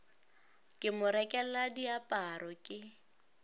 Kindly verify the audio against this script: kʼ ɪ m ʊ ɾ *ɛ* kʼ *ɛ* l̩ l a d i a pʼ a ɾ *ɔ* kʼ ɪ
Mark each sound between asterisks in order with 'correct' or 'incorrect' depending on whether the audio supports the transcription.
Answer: correct, correct, correct

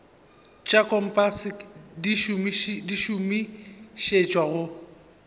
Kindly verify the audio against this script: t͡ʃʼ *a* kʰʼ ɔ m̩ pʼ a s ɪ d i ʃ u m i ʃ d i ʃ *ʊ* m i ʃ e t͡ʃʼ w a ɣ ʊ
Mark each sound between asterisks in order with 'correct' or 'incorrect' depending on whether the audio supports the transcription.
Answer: correct, incorrect: u

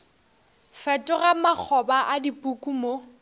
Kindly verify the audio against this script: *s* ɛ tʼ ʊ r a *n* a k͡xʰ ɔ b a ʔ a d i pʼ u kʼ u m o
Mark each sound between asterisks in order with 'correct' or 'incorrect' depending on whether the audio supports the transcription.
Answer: incorrect: f, incorrect: m

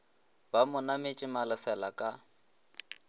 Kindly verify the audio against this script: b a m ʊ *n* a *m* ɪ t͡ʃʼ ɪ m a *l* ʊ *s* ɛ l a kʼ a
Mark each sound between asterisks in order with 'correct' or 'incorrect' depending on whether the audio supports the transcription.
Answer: correct, correct, correct, correct

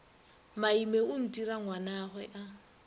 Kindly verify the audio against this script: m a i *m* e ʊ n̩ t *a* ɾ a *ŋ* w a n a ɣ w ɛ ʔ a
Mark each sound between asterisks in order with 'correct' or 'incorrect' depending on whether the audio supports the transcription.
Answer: correct, incorrect: i, correct

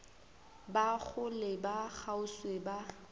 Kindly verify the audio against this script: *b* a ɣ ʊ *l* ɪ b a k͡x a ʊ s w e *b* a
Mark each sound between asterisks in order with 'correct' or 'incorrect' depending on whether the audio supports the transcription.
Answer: correct, correct, correct

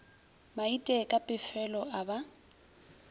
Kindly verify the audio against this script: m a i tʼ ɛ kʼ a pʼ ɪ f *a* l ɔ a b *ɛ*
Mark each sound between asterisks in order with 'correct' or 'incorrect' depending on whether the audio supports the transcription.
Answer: incorrect: ɛ, incorrect: a

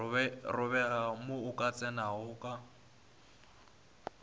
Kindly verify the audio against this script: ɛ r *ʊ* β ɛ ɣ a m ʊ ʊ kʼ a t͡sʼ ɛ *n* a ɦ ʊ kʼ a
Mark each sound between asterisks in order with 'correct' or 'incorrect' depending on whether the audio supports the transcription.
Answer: correct, correct

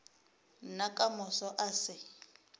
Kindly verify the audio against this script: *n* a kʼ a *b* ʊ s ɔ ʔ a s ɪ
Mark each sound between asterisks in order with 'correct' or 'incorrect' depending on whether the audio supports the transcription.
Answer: correct, incorrect: m

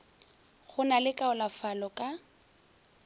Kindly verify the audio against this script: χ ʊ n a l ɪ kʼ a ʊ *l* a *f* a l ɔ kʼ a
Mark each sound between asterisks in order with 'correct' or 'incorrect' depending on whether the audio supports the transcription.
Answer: correct, correct

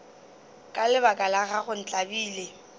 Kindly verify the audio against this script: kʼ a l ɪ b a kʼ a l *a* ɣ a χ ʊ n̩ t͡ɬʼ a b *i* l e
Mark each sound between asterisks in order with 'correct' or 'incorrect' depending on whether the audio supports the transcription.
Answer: correct, incorrect: iː

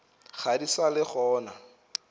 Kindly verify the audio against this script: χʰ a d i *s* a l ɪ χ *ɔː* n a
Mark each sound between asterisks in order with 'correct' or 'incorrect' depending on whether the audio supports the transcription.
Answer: correct, correct

